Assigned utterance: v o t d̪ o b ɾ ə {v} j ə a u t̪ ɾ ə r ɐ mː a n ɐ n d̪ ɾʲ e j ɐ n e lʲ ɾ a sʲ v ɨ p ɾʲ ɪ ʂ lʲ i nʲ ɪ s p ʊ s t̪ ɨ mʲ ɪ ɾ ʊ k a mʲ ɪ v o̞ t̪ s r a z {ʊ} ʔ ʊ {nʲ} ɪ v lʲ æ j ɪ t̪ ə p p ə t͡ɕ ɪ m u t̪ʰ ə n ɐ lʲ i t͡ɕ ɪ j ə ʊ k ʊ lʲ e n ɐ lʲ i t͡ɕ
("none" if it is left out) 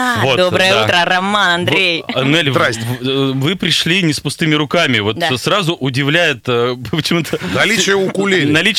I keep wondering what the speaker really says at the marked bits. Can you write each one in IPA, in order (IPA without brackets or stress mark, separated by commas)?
none, ʊ, dʲ